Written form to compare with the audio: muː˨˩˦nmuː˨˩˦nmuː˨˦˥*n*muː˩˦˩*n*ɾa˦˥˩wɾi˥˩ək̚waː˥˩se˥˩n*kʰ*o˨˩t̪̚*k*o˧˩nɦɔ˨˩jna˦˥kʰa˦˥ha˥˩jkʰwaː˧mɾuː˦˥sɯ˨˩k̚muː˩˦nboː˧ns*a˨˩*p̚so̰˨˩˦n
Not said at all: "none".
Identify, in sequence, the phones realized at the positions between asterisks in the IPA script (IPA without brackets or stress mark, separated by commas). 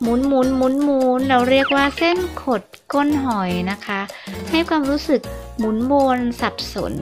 n, n, kʰ, k, a˨˩